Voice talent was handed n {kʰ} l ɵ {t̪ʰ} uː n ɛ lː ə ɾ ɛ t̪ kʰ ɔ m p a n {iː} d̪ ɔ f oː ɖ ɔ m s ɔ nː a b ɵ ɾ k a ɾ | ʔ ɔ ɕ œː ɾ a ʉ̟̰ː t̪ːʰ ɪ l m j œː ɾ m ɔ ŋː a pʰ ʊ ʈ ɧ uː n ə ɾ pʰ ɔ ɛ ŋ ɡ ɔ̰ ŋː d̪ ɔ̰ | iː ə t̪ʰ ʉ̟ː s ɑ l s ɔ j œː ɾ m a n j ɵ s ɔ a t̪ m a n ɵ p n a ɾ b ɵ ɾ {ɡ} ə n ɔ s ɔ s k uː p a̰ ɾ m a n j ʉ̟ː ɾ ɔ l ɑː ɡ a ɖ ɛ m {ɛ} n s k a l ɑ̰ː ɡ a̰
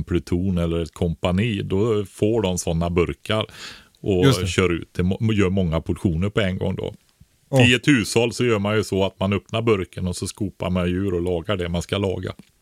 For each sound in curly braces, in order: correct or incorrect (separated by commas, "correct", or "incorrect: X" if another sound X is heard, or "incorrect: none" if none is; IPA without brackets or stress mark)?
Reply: incorrect: pʰ, correct, correct, incorrect: k, incorrect: a